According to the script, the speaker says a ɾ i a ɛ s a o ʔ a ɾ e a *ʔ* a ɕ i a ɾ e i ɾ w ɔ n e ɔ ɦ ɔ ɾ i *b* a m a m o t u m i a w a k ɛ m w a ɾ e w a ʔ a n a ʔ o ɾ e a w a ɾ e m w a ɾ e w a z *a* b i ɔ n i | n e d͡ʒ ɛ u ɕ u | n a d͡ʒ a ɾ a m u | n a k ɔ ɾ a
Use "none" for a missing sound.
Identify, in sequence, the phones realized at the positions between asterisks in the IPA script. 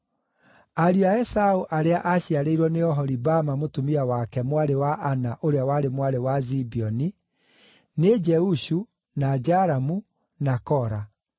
ʔ, b, i

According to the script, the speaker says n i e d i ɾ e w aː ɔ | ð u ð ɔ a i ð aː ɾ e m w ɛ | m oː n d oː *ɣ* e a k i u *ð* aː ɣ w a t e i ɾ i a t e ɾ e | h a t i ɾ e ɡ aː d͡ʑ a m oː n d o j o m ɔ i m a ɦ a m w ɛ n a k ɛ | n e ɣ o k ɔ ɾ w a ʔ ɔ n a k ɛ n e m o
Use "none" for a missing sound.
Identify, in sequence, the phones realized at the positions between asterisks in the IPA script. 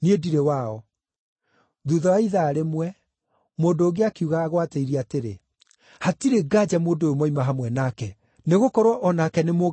ɣ, ɣ

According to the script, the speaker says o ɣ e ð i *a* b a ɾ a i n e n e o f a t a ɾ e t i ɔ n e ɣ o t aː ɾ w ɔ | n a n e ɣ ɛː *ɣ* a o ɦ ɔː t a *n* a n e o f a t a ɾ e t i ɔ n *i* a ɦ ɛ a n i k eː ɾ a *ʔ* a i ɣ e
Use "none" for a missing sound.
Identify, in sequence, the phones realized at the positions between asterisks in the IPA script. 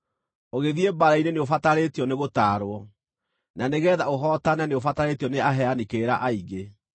e, ð, n, e, ʔ

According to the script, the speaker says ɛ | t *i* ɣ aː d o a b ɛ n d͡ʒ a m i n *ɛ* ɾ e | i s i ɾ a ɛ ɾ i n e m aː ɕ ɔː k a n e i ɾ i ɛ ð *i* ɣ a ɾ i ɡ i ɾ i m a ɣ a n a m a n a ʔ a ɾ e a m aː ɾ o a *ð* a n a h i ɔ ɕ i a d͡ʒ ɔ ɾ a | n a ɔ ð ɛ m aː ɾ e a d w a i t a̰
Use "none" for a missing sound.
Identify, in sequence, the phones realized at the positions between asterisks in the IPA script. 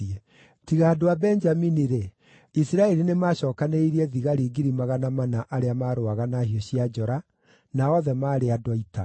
i, i, i, ɣ

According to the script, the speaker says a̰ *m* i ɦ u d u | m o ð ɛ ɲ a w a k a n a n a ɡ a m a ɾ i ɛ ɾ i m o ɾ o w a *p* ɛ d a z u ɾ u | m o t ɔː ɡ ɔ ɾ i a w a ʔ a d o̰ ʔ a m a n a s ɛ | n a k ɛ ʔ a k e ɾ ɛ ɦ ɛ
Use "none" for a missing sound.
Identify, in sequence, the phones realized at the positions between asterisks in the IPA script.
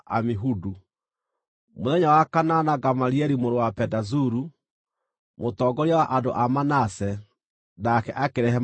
m, p

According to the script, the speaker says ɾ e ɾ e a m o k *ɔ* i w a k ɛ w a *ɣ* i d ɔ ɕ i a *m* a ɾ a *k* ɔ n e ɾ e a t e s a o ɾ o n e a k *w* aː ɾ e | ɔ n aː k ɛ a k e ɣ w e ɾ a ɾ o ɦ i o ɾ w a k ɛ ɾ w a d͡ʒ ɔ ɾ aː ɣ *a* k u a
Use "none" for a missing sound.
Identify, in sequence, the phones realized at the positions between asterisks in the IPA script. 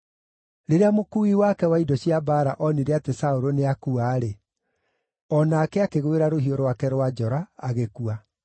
u, none, b, ʔ, u, e

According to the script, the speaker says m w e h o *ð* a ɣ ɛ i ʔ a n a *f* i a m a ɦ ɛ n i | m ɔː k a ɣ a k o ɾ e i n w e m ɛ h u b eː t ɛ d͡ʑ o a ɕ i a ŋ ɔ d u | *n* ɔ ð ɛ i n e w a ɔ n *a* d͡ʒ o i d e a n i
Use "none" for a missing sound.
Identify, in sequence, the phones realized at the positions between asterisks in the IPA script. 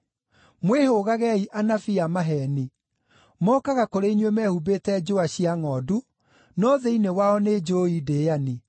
ɣ, f, n, e

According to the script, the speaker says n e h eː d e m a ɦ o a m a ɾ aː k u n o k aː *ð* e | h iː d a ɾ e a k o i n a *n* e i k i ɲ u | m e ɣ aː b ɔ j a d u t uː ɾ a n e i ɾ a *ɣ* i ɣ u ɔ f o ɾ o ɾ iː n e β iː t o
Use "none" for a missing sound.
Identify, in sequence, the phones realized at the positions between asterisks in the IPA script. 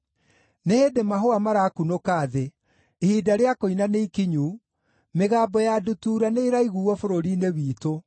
ð, n, none

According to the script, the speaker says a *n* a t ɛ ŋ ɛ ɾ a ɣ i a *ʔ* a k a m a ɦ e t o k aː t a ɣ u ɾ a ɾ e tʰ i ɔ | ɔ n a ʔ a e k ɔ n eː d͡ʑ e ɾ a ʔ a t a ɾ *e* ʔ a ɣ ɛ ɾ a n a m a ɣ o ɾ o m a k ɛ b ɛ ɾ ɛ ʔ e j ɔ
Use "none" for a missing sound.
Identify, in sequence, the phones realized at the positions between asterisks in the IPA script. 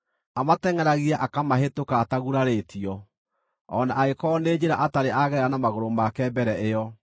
m, ʔ, e

